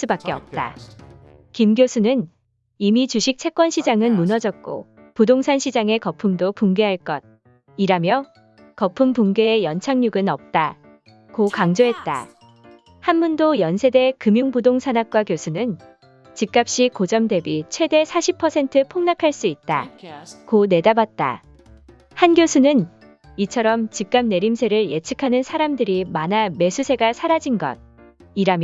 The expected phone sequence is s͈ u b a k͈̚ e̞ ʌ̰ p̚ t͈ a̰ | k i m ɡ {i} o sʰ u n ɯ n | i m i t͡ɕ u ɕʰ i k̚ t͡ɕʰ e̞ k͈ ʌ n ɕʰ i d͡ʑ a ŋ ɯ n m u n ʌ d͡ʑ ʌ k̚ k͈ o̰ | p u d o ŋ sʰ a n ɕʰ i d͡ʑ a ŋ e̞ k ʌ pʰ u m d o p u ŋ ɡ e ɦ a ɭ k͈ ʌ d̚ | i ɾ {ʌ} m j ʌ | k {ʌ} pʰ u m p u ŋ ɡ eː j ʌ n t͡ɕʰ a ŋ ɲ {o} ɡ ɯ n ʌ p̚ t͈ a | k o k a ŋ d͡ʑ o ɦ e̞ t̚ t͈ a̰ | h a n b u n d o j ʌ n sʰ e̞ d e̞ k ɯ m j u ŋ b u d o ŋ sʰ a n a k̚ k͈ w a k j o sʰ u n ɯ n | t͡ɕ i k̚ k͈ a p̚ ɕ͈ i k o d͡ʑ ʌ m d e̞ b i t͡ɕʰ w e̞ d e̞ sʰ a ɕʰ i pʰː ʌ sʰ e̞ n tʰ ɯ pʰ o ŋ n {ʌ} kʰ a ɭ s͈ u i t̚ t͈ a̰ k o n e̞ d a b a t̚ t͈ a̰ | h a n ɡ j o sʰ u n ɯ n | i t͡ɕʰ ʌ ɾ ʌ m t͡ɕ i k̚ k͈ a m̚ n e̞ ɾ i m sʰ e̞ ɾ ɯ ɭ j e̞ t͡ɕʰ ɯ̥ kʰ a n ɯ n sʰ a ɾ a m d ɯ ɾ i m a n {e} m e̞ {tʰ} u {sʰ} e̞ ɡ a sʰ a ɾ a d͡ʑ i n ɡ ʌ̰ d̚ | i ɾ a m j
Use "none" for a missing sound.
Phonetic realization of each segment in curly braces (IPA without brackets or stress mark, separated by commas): j, a, ʌ, u, a, a, sʰ, sʰ